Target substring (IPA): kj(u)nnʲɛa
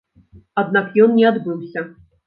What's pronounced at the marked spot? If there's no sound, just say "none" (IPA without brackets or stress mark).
ɔ